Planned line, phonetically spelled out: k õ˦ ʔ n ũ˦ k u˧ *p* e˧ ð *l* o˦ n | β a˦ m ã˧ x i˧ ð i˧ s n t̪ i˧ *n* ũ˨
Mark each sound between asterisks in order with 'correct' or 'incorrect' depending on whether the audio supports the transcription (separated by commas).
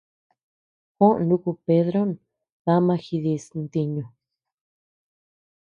correct, incorrect, incorrect